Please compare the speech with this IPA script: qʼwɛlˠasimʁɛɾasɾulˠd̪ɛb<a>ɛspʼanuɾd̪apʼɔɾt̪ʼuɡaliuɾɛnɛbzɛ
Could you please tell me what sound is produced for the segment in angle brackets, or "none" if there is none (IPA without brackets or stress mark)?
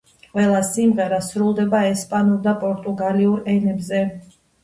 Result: a